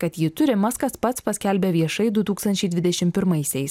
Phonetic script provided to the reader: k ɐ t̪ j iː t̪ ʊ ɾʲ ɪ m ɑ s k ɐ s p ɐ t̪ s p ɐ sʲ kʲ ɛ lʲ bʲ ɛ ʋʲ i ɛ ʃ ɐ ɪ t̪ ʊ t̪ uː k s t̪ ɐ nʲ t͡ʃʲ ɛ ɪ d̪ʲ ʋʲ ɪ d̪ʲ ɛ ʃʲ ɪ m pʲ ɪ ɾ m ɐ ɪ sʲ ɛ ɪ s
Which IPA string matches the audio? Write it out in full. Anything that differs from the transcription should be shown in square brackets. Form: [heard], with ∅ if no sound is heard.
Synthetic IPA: k ɐ t̪ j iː t̪ ʊ ɾʲ ɪ m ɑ s k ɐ s p ɐ t̪ s p ɐ sʲ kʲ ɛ lʲ bʲ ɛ ʋʲ i ɛ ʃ ɐ ɪ [d̪] ʊ t̪ uː k s t̪ ɐ nʲ t͡ʃʲ ɛ ɪ d̪ʲ ʋʲ ɪ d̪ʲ ɛ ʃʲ ɪ m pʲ ɪ ɾ m ɐ ɪ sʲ ɛ ɪ s